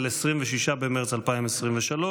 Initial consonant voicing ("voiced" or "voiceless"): voiced